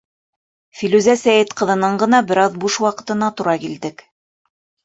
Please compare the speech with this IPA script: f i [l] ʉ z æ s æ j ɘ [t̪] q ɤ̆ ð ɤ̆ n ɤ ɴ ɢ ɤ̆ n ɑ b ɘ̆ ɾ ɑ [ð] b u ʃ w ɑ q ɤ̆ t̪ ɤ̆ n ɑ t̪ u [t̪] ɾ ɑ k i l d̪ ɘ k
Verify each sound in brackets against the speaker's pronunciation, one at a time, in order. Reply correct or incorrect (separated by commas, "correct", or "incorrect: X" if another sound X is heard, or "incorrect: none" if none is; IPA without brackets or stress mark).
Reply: correct, correct, correct, incorrect: none